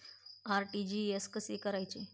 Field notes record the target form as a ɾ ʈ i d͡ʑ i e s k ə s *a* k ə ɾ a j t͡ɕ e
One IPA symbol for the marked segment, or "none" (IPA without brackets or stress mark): e